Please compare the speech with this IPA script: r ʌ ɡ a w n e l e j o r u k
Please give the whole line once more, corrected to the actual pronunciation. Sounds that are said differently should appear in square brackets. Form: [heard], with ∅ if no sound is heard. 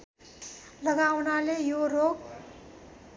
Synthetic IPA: [l] ʌ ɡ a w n [a] l e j o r [o] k